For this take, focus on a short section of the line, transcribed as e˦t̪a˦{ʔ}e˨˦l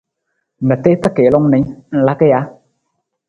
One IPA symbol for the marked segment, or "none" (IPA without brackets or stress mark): k